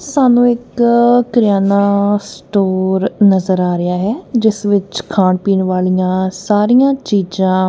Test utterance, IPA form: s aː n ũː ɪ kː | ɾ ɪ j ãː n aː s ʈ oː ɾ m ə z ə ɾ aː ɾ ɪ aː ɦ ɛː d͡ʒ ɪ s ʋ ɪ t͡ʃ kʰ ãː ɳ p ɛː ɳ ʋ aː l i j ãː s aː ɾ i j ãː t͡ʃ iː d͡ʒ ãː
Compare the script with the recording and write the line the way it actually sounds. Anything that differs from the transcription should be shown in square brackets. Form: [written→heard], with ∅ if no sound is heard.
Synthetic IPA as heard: s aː n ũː ɪ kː | ɾ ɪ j [ãː→aː] n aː s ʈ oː ɾ [m→n] ə z ə ɾ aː ɾ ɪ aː ɦ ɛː d͡ʒ ɪ s ʋ ɪ t͡ʃ kʰ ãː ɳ p [ɛː→iː] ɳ ʋ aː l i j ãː s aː ɾ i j ãː t͡ʃ iː d͡ʒ ãː